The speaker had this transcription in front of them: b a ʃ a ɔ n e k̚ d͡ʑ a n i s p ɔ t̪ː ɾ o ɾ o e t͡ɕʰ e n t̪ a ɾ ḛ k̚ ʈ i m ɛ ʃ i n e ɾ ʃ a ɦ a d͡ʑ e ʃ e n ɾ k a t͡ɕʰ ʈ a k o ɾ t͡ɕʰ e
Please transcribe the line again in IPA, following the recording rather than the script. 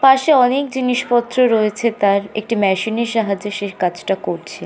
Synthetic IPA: p a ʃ e ɔ n e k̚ d͡ʑ i n i ʃ p ɔ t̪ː ɾ o ɾ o e t͡ɕʰ e t̪ a ɾ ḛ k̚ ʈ i m ɛ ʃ i n e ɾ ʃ a ɦ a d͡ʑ e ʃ e ɾ k a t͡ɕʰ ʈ a k o ɾ t͡ɕʰ e

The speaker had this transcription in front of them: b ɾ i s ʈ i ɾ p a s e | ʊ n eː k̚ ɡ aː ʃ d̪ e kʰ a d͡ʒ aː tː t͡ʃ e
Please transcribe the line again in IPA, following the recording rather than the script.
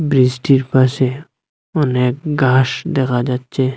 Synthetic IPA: b ɾ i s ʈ i ɾ p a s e | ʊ n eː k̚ ɡ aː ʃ d̪ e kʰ a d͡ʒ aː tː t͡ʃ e

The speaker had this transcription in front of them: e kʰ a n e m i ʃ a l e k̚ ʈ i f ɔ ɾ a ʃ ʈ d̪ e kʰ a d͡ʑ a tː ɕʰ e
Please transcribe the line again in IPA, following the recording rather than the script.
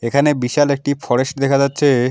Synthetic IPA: e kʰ a n e b i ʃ a l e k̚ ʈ i f ɔ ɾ e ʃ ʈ d̪ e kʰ a d͡ʑ a tː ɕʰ e

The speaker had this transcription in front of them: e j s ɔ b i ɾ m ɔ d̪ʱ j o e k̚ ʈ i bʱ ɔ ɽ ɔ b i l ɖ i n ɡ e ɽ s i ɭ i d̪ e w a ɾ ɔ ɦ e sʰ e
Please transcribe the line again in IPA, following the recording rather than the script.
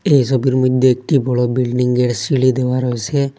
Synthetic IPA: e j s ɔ b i ɾ m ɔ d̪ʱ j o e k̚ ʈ i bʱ ɔ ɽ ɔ b i l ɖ i ŋ ɡ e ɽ s i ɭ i d̪ e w a ɾ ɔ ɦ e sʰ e

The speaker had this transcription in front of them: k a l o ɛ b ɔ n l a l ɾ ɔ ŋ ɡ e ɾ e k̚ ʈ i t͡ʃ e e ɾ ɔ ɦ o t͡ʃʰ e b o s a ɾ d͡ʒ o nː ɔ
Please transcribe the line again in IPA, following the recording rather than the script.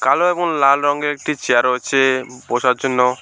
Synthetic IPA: k a l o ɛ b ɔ n l a l ɾ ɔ ŋ ɡ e ɾ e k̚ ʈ i t͡ʃ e a ɾ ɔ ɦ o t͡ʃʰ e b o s a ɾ d͡ʒ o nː ɔ

